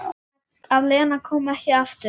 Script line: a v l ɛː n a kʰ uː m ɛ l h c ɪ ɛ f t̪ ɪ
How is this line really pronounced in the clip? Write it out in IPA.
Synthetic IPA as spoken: a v l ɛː n a kʰ ɔː m ɛ h c ɪ a f t̪ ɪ